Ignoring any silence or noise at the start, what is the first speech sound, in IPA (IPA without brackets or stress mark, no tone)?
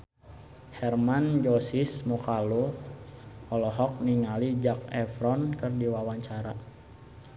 h